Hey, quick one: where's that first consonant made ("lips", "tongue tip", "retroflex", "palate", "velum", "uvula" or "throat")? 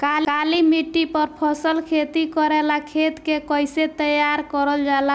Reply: velum